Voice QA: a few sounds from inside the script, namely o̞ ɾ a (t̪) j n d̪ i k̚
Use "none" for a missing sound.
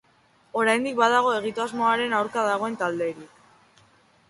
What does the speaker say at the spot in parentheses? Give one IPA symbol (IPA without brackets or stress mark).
none